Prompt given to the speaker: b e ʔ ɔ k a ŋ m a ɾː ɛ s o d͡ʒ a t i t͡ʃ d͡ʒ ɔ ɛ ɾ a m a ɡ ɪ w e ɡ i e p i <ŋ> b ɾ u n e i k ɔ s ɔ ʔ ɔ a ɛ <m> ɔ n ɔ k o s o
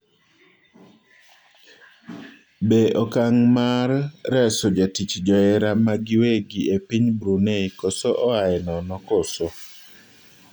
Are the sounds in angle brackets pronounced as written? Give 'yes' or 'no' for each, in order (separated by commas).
no, no